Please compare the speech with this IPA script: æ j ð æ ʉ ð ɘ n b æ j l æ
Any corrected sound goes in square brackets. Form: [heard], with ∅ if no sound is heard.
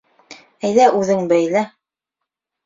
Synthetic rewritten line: æ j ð æ ʉ ð ɘ [ŋ] b æ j l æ